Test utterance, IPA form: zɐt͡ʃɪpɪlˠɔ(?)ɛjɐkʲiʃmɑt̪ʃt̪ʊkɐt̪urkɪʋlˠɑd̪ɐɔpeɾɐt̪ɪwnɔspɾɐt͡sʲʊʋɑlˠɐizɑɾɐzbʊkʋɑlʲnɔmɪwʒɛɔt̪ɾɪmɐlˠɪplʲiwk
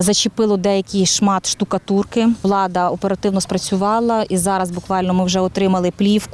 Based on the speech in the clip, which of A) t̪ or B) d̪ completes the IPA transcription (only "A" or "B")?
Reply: B